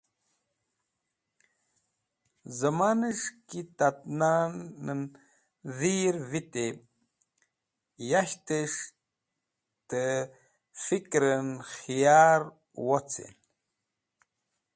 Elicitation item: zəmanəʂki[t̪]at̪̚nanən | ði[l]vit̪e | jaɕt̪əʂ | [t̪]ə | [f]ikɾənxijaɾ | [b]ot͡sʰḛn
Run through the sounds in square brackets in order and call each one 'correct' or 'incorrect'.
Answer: correct, incorrect, correct, correct, incorrect

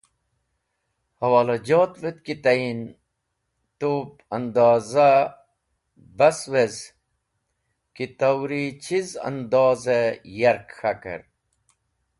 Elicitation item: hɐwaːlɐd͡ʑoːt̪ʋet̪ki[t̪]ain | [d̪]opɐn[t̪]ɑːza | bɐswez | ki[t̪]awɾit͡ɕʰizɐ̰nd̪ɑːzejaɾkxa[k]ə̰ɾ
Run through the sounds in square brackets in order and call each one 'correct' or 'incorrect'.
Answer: correct, incorrect, incorrect, correct, correct

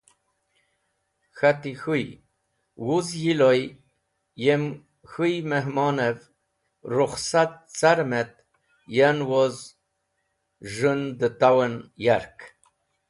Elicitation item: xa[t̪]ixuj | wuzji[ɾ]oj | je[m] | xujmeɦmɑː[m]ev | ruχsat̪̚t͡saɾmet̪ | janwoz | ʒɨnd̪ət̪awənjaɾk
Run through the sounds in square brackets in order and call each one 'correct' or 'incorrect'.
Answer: correct, incorrect, correct, incorrect

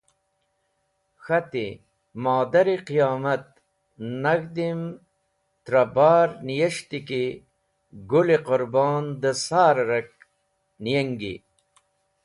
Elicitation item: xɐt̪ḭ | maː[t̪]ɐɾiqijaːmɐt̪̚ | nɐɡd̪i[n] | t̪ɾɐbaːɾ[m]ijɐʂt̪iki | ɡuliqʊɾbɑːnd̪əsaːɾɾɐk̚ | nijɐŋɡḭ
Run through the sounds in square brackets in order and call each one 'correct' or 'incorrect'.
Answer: incorrect, incorrect, incorrect

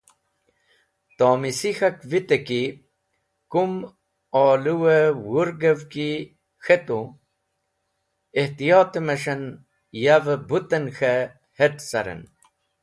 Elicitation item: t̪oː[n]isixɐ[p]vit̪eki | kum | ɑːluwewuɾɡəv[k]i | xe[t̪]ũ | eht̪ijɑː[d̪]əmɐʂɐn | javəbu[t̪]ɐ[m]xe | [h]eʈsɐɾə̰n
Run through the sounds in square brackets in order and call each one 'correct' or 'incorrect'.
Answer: incorrect, incorrect, correct, correct, incorrect, correct, incorrect, correct

